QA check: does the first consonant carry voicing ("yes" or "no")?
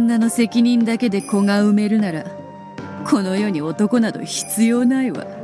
yes